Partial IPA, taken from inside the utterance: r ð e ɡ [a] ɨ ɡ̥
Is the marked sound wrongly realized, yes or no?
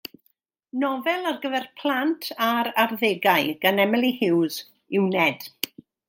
no